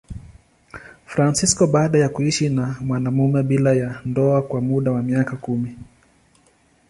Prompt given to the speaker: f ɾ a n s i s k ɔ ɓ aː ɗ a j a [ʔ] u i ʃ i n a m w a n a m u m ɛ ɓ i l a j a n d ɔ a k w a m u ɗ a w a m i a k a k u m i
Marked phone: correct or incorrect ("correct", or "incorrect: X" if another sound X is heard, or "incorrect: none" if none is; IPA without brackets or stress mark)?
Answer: incorrect: k